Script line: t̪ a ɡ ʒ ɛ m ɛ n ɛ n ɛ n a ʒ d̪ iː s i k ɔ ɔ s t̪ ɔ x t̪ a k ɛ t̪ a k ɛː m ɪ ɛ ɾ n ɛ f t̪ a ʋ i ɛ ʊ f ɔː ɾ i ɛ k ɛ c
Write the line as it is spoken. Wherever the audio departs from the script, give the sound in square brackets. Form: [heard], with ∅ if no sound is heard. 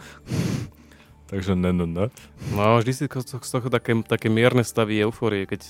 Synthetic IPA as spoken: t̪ a ɡ ʒ ɛ [n] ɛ n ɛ n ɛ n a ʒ d̪ [i] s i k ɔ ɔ s t̪ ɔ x t̪ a k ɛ t̪ a k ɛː m ɪ ɛ ɾ n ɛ [s] t̪ a ʋ i ɛ ʊ f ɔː ɾ i ɛ k ɛ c